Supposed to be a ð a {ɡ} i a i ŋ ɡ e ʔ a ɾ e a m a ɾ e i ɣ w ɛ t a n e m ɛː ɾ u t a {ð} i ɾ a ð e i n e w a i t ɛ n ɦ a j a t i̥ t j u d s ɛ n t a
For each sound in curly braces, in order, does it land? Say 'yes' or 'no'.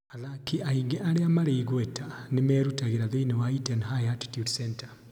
no, no

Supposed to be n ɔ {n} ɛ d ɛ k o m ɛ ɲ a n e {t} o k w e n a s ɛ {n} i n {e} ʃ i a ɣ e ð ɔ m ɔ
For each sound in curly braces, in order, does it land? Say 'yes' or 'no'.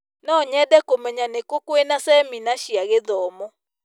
no, no, no, no

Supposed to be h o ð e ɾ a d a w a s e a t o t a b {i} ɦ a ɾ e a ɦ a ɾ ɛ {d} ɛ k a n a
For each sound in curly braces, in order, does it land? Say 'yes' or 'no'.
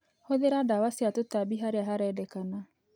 yes, yes

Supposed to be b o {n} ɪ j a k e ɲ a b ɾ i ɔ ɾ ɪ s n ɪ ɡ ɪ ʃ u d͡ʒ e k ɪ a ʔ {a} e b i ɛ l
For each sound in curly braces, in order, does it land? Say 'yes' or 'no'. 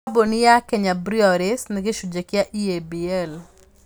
yes, no

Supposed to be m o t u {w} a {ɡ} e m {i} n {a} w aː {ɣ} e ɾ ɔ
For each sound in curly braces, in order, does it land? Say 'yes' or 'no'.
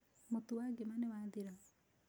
yes, yes, no, no, no

